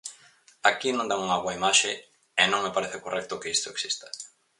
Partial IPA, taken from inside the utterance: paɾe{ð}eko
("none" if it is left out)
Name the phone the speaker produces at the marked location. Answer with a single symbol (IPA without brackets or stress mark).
θ